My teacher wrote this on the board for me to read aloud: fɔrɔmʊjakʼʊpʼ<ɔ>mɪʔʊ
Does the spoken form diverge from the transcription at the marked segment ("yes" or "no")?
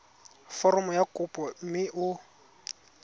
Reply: no